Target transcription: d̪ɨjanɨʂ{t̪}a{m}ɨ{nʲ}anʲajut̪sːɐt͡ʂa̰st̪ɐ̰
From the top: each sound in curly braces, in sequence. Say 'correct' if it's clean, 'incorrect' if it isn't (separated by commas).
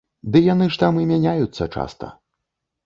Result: correct, correct, incorrect